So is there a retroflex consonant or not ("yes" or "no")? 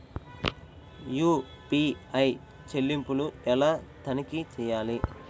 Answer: no